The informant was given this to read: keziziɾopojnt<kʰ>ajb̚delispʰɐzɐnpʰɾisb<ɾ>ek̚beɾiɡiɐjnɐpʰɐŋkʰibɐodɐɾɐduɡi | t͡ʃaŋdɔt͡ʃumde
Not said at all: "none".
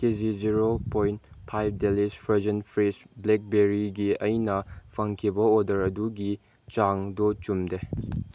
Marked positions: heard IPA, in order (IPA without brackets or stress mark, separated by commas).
pʰ, l